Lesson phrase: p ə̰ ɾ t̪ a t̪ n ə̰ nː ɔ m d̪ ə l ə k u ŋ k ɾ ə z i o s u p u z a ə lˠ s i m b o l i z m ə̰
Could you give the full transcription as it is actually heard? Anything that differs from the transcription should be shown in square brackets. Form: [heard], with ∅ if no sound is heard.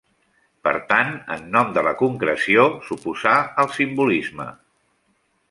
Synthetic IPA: p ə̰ ɾ t̪ a [∅] n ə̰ nː ɔ m d̪ ə l ə k u ŋ k ɾ ə [s] i o s u p u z a ə lˠ s i m b [u] l i z m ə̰